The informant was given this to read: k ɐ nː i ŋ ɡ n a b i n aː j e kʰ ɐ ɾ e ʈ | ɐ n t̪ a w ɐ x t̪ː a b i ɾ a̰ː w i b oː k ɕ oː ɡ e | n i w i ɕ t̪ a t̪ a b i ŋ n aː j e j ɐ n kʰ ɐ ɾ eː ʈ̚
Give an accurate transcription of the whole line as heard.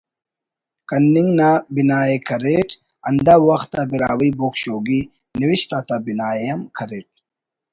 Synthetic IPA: k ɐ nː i ŋ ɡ n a b i n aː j e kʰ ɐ ɾ e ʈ | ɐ n d̪ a w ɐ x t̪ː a b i ɾ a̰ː w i b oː k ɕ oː ɡ i | n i w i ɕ t̪ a t̪ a b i n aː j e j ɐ m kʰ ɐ ɾ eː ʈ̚